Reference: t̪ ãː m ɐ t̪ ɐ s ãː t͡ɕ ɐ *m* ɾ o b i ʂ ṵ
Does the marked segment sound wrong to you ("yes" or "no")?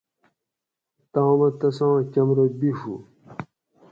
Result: no